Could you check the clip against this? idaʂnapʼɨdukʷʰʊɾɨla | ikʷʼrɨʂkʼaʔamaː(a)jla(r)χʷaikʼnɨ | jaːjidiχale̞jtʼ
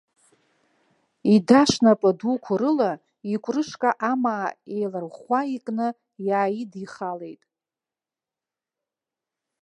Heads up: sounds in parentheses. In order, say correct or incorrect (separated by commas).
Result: incorrect, correct